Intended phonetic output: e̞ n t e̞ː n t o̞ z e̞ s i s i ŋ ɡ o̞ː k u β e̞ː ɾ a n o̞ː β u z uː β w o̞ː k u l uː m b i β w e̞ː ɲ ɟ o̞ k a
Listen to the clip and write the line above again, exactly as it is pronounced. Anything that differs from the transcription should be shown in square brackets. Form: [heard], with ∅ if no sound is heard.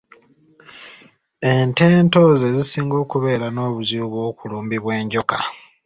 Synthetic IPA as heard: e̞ n t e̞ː n t o̞ z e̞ [z] i s [iː] ŋ ɡ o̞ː k u β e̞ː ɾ a n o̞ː β u z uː β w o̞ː k u l uː m b i β w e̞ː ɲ ɟ o̞ k a